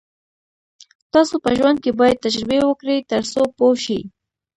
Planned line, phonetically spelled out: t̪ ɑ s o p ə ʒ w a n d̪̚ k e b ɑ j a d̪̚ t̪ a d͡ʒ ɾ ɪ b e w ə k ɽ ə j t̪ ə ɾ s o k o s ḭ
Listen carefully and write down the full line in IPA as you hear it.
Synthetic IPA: t̪ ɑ s o p ə ʒ w a n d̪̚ k e b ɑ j a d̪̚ t̪ a d͡ʒ ɾ ɪ b e w ə k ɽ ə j t̪ ə ɾ s o p o ʃ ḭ